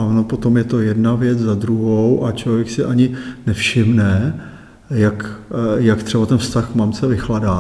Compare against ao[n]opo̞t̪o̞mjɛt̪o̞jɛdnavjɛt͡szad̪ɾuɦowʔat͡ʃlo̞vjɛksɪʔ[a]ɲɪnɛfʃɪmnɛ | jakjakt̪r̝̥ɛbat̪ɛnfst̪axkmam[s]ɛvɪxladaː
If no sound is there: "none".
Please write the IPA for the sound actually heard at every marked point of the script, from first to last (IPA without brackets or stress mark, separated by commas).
n, a, t͡s